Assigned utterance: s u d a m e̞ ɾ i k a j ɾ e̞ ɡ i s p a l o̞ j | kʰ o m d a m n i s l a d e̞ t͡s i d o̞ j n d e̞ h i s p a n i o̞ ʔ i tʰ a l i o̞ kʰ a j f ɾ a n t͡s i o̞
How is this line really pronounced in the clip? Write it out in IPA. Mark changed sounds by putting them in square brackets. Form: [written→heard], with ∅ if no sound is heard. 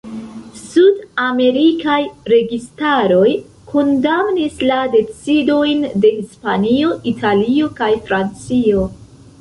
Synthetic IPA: s u d a m e̞ ɾ i k a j ɾ e̞ ɡ i s [p→t] a [l→ɾ] o̞ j | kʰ o [m→n] d a m n i s l a d e̞ t͡s i d o̞ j n d e̞ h i s p a n i o̞ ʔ i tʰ a l i o̞ [kʰ→k] a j f ɾ a n t͡s i o̞